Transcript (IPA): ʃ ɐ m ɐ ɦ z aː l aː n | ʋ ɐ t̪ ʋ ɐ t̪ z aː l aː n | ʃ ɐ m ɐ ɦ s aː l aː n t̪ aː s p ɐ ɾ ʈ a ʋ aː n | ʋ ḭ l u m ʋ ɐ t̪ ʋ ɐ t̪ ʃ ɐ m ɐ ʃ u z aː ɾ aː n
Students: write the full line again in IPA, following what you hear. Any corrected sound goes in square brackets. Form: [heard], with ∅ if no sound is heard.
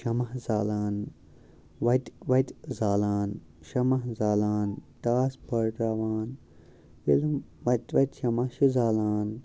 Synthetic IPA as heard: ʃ ɐ m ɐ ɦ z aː l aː n | ʋ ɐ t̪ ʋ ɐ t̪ z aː l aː n | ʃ ɐ m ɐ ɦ [z] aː l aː n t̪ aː s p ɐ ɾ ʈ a ʋ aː n | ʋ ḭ l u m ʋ ɐ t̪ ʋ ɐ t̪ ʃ ɐ m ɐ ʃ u z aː [l] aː n